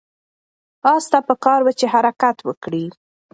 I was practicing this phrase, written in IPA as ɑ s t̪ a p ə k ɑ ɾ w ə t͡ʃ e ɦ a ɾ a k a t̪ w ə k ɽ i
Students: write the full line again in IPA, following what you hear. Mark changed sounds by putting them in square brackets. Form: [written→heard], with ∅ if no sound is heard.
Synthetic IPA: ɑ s t̪ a p ə k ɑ ɾ w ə t͡ʃ e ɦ a ɾ a k a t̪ w ə k ɽ i